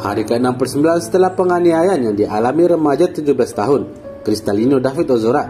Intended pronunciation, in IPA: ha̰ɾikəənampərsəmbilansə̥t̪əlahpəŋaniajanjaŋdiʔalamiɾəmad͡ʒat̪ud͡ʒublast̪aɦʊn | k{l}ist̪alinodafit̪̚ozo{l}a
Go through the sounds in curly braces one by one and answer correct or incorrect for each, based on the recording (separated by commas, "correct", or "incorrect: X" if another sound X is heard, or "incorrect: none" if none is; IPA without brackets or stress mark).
incorrect: ɾ, incorrect: ɾ